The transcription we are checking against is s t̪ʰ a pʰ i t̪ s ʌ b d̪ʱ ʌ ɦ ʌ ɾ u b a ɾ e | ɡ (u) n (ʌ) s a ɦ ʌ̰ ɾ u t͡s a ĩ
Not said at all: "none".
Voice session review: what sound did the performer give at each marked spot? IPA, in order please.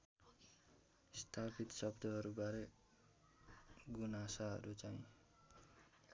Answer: u, a

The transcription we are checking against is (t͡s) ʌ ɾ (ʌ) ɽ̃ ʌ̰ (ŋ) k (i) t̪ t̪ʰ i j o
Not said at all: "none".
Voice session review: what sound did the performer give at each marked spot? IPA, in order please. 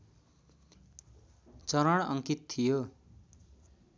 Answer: t͡s, ʌ, ŋ, i

